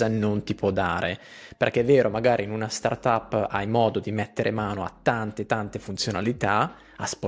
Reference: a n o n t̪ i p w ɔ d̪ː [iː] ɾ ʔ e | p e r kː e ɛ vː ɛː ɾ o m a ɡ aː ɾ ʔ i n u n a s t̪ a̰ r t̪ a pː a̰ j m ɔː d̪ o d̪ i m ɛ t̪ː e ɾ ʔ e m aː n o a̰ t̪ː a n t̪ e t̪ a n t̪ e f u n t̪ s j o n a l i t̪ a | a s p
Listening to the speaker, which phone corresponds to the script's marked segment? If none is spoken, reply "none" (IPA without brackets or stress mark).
aː